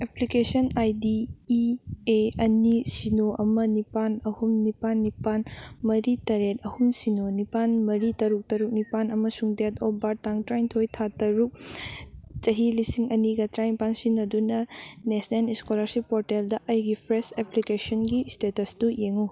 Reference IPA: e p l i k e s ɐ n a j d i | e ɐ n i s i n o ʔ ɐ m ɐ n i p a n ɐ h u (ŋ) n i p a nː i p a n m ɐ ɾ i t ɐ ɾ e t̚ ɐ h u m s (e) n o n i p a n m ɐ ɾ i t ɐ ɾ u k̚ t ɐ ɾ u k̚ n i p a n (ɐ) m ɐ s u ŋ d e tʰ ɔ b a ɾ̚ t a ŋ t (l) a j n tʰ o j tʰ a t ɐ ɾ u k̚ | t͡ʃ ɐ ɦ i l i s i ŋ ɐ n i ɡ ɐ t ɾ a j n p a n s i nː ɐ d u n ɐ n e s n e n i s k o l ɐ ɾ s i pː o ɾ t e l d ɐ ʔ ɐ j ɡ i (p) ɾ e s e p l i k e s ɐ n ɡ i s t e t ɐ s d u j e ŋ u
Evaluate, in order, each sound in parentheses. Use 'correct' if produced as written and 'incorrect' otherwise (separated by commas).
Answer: incorrect, incorrect, correct, incorrect, incorrect